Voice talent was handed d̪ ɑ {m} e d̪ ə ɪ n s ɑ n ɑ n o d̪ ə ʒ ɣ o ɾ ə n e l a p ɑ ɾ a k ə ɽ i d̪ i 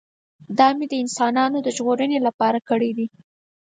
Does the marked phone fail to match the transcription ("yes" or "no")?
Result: no